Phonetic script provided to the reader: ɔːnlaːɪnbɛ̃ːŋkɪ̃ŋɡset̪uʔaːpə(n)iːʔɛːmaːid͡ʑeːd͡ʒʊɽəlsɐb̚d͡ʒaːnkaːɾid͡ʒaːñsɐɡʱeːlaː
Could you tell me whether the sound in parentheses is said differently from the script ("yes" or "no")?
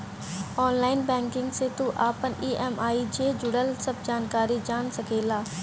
no